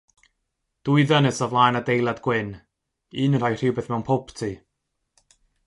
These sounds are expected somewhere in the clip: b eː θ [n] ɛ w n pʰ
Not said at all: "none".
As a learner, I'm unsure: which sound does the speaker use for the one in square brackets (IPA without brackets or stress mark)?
m